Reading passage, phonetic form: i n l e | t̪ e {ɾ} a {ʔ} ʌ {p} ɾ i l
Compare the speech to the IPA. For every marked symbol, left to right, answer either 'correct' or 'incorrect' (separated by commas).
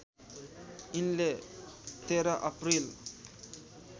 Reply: correct, correct, correct